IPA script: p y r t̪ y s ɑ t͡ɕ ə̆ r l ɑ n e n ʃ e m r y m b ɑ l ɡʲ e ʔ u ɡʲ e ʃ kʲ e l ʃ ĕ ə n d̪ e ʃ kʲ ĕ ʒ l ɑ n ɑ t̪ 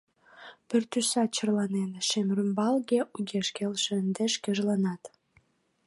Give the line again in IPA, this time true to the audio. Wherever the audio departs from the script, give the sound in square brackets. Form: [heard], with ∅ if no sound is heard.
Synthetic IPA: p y r t̪ y s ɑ t͡ɕ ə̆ r l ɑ n e n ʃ e m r y m b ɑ l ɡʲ e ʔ u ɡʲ e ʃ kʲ e l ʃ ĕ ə n d̪ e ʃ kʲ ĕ ʒ l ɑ n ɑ t̪